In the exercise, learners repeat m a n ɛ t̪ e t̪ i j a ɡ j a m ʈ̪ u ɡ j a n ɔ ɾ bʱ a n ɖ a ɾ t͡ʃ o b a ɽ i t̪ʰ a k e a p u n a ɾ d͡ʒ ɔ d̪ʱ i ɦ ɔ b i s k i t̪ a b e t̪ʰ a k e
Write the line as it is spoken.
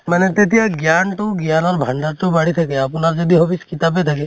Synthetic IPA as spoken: m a n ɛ t̪ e t̪ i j a ɡ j a n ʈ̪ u ɡ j a n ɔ ɾ bʱ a ɳ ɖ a ɾ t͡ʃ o b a ɽ i t̪ʰ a k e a p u n a ɾ d͡ʒ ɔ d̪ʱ i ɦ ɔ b i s k i t̪ a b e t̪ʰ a k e